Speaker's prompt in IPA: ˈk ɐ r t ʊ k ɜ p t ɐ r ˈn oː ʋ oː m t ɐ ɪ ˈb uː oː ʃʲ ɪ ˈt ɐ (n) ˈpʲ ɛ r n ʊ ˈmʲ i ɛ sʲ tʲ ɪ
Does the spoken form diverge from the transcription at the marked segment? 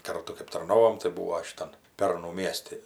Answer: no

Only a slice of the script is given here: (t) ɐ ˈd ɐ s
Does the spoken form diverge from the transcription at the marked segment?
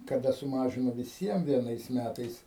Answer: yes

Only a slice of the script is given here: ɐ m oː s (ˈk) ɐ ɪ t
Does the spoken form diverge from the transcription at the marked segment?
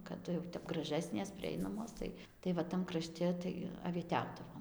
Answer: yes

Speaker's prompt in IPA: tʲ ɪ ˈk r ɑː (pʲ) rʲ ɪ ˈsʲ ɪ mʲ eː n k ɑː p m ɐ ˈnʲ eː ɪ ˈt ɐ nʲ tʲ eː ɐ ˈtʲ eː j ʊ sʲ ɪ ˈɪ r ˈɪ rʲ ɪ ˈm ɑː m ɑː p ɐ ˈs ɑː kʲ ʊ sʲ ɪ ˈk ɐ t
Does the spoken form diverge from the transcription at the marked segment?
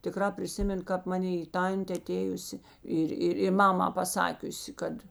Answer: no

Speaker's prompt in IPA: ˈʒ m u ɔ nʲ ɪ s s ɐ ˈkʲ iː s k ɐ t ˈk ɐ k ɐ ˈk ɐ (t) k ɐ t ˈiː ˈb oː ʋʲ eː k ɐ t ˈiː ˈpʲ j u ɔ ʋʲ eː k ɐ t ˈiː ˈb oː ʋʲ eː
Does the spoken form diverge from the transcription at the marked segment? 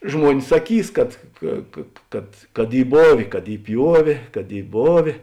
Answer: no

